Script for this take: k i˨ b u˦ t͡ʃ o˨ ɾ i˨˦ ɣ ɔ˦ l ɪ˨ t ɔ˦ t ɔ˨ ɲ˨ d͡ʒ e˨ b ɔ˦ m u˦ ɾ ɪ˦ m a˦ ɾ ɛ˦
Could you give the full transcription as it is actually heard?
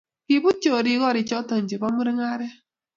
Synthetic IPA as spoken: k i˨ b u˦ t͡ʃ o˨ ɾ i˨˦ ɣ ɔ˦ ɾ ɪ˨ t͡ʃ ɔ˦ t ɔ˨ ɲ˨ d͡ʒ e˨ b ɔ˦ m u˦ ɾ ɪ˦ ŋ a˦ ɾ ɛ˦